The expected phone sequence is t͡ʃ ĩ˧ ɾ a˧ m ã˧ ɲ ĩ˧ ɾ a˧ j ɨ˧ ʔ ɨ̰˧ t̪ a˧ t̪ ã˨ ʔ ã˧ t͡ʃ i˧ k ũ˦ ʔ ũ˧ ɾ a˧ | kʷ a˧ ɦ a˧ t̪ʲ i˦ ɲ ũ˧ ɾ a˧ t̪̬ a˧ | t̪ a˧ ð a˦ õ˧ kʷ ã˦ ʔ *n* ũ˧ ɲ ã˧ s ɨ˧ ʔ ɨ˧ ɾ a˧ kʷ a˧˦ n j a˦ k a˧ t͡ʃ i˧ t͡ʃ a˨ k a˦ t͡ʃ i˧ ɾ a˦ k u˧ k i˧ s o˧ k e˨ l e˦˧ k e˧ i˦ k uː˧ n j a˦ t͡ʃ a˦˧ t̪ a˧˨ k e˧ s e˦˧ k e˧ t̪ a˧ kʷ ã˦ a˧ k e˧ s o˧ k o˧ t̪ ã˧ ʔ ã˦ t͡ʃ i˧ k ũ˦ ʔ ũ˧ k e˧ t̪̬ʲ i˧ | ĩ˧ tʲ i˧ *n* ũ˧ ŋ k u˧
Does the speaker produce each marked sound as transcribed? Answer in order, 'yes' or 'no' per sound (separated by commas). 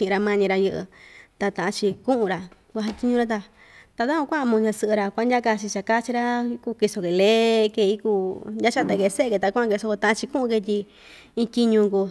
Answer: no, no